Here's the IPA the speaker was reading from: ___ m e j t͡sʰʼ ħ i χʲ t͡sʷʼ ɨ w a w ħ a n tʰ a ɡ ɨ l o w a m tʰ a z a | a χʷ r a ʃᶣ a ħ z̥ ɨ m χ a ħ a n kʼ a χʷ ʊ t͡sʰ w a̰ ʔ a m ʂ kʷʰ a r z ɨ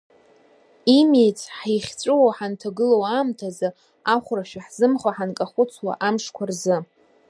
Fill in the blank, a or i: i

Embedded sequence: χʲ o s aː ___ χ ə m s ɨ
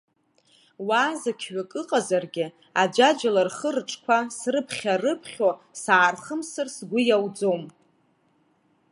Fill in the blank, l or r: r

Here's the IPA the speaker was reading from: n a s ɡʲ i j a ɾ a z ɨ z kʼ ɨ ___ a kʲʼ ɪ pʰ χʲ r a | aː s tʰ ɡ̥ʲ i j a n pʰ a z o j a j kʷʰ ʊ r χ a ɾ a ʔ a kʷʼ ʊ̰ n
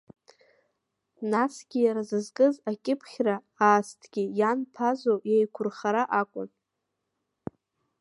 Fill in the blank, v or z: z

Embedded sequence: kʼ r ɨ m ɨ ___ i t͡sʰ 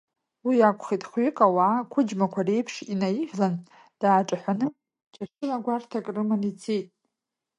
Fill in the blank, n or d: n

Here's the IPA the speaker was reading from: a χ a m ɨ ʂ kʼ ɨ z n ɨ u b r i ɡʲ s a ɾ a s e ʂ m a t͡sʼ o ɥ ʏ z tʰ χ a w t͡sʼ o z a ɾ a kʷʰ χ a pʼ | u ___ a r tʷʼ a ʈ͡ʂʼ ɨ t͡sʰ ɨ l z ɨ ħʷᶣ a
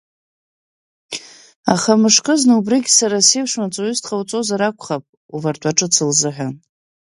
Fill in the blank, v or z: v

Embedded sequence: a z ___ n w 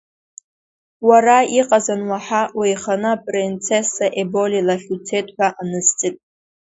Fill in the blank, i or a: a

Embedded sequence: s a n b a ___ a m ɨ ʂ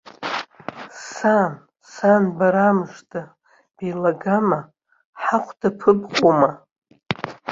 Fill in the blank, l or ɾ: ɾ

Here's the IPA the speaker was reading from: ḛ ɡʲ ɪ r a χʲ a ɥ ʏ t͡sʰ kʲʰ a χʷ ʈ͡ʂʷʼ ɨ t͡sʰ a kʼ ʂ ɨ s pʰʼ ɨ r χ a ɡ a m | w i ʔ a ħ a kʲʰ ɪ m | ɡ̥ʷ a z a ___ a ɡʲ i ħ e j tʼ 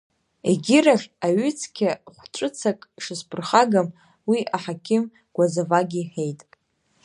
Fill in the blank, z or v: v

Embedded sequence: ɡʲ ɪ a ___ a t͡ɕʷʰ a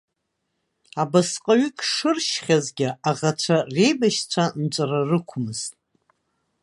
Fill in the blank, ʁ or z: ʁ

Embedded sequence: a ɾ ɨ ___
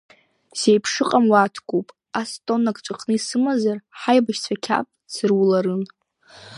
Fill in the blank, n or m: n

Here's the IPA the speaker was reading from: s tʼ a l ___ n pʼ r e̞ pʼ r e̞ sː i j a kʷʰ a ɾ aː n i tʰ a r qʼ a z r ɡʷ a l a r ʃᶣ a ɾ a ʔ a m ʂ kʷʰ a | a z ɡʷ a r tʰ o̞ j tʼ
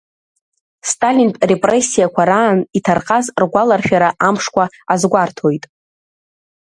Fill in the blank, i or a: i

